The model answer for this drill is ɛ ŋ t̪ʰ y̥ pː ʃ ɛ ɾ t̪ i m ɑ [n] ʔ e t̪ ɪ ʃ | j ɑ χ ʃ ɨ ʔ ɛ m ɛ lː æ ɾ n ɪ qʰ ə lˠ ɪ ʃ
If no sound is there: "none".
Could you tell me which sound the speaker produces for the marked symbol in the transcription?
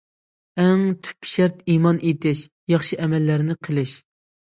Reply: n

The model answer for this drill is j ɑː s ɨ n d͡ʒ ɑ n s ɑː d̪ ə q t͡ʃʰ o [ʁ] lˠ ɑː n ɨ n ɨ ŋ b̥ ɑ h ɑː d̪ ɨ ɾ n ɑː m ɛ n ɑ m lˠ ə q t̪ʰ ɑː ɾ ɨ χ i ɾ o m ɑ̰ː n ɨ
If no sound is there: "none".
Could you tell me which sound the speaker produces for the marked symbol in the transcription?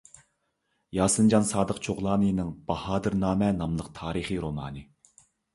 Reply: ʁ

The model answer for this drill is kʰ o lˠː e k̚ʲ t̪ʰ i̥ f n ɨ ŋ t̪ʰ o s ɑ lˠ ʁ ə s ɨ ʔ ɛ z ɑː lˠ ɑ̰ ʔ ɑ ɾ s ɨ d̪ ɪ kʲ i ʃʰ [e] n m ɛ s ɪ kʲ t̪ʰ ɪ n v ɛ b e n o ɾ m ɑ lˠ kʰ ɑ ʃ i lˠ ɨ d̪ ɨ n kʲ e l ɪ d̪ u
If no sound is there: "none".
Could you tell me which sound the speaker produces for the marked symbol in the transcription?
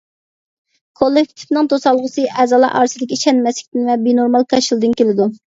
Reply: ɛ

